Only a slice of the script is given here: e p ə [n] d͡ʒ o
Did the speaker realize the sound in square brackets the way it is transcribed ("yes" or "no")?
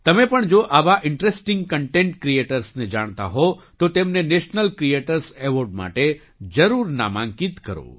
no